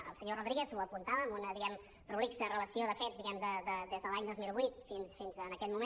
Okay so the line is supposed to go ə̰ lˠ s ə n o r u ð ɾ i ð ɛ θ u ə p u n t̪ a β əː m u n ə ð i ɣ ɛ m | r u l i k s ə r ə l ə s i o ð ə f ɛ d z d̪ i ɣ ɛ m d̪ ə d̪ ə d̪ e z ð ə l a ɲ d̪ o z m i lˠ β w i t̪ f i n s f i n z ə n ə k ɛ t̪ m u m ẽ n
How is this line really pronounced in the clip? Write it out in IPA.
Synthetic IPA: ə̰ lˠ s ə ɲ o r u ð ɾ i ɣ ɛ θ u ə p u n t̪ a β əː m u n ə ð i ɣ ɛ m | r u l i k s ə r ə l ə s i o ð ə f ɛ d z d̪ i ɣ ɛ m d̪ ə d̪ ə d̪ e z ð ə l a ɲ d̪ o z m i lˠ β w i t̪ f i n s f i n z ə n ə k ɛ t̪ m u m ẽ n